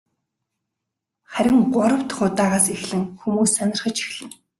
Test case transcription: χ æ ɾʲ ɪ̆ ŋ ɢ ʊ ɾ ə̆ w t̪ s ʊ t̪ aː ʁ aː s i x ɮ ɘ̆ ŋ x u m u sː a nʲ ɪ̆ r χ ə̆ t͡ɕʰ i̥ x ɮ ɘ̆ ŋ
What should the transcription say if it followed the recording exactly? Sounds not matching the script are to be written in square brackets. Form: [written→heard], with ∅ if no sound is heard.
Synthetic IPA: χ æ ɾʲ ɪ̆ ŋ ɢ ʊ ɾ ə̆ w t̪ [s→χ] ʊ t̪ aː ʁ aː s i x ɮ ɘ̆ ŋ x u m [u→uː] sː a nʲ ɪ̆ r χ ə̆ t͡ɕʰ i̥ x ɮ ɘ̆ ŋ